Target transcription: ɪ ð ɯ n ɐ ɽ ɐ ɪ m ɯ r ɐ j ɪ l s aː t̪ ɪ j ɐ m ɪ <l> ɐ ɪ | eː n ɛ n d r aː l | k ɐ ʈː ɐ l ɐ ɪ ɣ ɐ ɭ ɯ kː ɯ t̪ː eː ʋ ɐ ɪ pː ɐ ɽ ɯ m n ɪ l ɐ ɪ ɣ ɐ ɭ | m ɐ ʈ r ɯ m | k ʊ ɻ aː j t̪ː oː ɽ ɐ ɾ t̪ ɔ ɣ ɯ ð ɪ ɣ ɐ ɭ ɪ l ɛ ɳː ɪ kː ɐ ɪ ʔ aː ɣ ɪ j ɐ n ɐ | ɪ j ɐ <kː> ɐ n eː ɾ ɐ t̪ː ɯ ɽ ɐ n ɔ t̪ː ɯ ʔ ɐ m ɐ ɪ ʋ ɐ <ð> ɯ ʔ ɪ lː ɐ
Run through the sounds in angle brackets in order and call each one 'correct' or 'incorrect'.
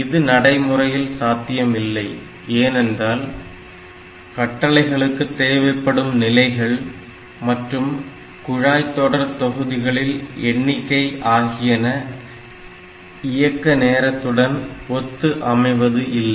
incorrect, correct, correct

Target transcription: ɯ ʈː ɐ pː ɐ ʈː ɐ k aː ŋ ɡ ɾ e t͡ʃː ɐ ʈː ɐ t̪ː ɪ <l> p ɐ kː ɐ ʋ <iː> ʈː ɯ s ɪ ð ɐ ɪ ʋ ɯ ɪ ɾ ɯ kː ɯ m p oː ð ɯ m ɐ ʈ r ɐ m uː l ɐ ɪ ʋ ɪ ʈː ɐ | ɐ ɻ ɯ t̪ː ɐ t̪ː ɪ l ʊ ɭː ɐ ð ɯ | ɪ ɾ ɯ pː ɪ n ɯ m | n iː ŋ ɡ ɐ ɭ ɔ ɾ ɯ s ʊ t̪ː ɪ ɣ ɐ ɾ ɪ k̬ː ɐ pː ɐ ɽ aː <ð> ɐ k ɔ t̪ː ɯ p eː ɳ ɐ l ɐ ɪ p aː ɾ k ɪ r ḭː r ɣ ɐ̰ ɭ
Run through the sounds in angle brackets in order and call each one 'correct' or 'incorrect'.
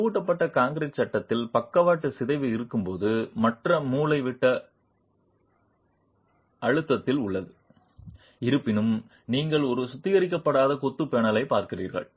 correct, incorrect, correct

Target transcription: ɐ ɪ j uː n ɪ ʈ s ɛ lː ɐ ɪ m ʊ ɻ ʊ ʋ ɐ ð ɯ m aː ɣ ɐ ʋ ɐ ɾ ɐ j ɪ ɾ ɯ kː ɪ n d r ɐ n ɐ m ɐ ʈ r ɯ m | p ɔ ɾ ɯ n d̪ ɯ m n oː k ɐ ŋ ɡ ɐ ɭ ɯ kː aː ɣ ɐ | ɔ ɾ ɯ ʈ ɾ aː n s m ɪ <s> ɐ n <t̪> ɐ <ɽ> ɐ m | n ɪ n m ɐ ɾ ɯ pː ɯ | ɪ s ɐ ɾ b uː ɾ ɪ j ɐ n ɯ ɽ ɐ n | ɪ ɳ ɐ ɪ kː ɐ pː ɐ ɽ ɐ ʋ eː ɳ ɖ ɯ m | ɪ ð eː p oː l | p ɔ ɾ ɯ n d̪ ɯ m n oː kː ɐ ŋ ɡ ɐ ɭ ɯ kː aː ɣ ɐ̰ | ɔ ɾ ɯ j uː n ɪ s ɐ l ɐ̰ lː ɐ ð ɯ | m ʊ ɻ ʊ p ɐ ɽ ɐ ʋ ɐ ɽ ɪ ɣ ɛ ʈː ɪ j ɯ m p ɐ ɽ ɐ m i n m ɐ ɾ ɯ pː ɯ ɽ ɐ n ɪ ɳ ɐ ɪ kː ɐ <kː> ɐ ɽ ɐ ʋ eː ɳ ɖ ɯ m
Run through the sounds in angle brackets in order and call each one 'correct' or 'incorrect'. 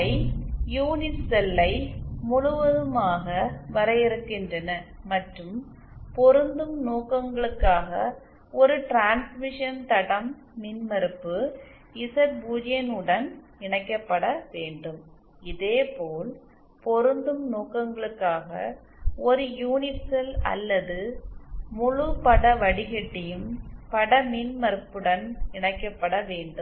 incorrect, correct, correct, incorrect

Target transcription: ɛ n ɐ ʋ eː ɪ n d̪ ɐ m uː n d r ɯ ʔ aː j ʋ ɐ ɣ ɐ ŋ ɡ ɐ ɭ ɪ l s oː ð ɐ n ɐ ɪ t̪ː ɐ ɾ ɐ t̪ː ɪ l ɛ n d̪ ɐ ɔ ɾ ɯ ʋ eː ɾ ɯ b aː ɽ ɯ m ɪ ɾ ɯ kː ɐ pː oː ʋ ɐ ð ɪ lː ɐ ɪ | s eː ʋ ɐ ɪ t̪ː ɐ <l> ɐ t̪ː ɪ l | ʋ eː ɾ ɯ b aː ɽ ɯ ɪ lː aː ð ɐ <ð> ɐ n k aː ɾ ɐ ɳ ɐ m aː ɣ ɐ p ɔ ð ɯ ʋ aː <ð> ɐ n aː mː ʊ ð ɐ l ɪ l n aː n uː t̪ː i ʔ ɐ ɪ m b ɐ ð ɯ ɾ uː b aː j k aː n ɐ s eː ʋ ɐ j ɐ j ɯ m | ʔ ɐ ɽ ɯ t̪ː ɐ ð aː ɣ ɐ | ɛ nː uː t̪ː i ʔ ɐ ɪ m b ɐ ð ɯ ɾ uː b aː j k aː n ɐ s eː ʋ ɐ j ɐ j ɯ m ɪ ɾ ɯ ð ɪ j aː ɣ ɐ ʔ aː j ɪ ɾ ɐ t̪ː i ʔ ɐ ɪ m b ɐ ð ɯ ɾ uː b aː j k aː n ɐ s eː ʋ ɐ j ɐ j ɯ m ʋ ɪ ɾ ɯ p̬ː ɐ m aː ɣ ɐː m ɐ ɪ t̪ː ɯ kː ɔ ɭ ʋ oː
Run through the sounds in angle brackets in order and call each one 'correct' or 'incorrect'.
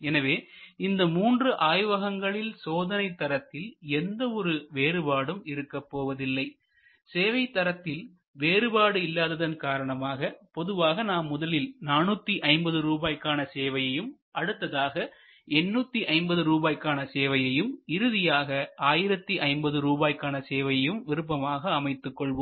incorrect, correct, incorrect

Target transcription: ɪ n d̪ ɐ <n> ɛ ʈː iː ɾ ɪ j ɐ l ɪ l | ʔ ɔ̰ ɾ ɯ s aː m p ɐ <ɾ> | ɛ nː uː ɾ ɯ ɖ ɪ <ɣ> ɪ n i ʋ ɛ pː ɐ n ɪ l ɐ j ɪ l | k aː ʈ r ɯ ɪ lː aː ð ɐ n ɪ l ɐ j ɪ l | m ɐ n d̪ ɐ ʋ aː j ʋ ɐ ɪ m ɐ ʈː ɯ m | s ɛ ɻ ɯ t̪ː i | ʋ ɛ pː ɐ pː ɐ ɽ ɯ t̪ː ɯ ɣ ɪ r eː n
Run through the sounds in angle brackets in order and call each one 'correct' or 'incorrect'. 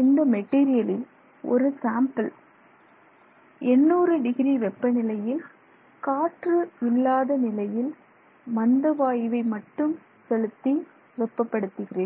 incorrect, incorrect, correct

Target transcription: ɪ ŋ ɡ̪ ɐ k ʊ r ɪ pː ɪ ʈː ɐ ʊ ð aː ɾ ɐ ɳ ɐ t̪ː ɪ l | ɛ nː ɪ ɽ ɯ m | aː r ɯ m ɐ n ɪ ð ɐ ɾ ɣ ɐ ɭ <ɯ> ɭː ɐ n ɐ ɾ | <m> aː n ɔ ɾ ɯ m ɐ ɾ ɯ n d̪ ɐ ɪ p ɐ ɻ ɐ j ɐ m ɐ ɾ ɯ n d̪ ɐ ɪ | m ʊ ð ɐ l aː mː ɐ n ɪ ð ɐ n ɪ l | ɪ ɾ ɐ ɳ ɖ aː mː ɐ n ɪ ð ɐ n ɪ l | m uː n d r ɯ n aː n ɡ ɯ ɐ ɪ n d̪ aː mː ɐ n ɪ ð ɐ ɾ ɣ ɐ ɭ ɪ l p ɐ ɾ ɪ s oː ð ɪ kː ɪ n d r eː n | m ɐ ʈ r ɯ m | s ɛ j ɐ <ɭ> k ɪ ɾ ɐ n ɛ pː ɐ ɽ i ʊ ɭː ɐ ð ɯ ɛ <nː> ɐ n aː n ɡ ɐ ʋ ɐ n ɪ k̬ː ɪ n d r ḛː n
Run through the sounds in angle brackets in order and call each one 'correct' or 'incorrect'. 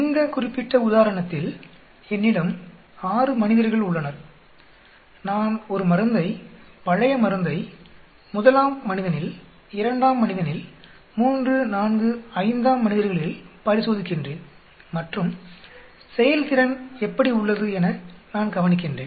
incorrect, incorrect, incorrect, incorrect

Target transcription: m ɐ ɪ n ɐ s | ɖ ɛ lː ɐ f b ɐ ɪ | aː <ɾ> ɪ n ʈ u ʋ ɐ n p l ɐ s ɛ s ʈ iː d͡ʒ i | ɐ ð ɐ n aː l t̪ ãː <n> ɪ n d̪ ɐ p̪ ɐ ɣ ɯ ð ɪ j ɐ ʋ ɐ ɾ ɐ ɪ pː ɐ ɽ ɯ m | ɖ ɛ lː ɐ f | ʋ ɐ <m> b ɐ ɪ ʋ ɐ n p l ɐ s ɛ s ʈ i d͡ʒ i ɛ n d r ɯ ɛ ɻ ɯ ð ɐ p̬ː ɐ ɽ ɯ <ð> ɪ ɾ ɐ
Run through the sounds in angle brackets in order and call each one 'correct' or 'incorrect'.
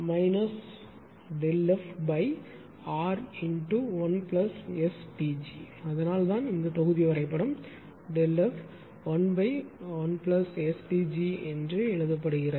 correct, correct, incorrect, incorrect

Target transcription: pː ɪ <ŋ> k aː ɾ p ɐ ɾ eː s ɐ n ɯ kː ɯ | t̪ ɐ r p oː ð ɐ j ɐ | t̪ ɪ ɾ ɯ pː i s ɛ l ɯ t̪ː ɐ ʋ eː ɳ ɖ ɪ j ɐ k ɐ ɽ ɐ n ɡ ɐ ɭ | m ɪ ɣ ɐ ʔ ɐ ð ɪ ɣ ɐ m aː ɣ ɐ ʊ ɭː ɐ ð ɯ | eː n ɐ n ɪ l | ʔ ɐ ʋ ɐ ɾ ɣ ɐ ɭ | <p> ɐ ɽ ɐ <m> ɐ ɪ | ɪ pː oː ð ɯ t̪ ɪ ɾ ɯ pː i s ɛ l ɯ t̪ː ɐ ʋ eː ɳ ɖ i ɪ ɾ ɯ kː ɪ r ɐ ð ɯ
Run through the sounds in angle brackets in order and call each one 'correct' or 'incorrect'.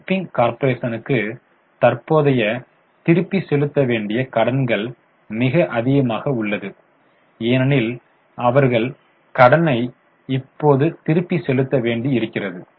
correct, incorrect, incorrect

